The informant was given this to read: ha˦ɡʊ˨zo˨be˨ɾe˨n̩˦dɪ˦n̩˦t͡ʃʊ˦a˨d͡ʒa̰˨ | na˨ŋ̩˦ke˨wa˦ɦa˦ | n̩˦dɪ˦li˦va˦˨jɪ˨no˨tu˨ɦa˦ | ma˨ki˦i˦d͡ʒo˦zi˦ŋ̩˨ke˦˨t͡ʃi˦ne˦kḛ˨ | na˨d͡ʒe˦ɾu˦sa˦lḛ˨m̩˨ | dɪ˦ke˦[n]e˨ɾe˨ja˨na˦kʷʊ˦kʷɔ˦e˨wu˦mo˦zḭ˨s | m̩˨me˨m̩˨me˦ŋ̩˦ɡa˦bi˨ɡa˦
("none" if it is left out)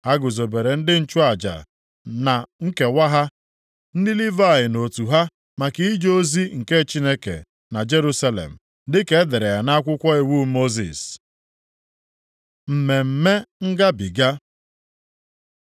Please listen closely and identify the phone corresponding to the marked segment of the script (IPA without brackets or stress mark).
d